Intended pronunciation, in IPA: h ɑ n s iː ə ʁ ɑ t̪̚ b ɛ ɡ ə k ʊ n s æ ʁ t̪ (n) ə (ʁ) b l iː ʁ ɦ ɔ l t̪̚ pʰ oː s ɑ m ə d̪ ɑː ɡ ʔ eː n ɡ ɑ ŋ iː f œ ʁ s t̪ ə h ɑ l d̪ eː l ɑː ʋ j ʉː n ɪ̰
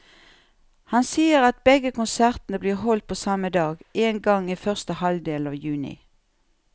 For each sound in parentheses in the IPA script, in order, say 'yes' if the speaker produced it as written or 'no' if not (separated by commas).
yes, no